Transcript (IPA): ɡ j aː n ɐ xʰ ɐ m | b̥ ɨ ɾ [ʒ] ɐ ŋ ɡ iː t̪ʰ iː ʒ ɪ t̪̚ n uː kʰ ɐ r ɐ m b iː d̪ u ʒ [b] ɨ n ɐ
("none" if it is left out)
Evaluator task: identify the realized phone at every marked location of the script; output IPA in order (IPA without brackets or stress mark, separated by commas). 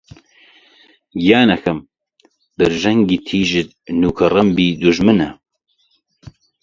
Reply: ʒ, m